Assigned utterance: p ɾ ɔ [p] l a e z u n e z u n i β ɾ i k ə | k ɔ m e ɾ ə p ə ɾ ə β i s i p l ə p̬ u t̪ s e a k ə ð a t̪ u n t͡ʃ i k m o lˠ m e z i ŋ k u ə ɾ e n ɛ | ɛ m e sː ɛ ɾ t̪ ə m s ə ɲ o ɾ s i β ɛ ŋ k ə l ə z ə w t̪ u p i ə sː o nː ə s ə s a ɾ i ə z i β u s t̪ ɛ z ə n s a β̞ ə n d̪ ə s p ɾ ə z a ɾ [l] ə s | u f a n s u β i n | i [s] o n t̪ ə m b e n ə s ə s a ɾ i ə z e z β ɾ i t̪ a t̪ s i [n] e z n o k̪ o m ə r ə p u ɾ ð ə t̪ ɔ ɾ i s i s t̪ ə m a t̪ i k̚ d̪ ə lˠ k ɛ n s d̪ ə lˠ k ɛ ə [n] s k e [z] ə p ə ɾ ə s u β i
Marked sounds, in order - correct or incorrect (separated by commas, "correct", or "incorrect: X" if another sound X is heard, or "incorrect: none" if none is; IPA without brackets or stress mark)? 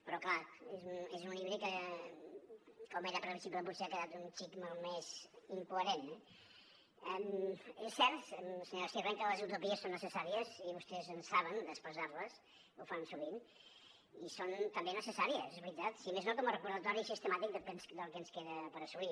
incorrect: k, correct, correct, incorrect: m, correct, incorrect: ð